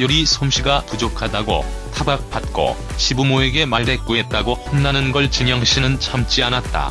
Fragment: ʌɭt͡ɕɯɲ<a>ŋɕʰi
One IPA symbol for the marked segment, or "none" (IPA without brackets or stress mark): ʌ